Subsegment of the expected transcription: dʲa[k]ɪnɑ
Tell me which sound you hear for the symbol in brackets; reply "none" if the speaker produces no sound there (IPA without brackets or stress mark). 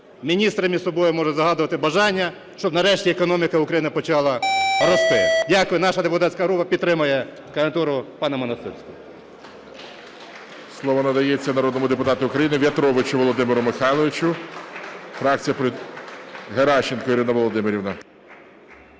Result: k